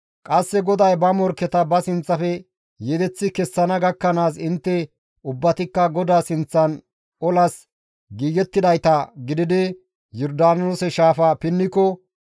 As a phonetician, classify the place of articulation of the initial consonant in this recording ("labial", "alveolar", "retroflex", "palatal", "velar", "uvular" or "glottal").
velar